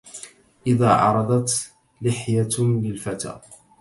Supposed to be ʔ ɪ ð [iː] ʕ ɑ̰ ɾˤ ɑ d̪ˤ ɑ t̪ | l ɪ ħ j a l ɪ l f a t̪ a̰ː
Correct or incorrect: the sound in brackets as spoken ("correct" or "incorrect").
incorrect